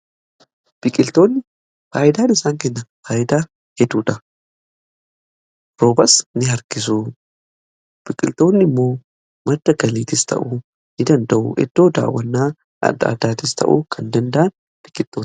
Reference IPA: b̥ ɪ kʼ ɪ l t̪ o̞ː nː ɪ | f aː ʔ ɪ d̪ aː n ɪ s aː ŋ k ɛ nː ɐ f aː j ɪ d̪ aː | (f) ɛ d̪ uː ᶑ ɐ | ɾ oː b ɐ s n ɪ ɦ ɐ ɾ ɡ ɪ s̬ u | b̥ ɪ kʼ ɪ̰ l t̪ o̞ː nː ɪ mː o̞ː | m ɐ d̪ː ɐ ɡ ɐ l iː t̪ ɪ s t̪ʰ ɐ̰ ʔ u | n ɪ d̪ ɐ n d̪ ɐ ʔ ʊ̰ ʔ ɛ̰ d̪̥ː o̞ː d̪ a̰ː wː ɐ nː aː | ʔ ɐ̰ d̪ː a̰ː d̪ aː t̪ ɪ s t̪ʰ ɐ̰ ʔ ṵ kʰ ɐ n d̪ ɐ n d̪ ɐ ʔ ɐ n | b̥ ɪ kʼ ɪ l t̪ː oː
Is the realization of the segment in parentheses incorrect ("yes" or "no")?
yes